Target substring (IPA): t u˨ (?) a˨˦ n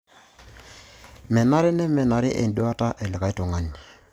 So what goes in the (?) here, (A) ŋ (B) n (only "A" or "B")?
A